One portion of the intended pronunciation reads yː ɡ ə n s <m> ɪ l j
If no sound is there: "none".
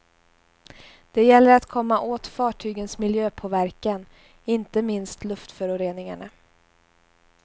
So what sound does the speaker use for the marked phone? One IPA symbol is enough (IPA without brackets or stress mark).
m